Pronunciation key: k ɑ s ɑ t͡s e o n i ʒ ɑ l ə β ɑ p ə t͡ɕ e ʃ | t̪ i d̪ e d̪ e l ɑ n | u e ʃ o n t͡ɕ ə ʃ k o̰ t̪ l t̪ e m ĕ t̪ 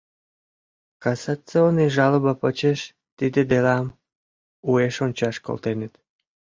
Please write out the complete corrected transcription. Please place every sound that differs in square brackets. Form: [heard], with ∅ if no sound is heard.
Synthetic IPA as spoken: k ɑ s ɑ t͡s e o n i ʒ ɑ l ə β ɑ p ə t͡ɕ e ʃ | t̪ i d̪ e d̪ e l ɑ [m] | u e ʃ o n t͡ɕ [ɑ] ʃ k o̰ [∅] l t̪ e [n] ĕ t̪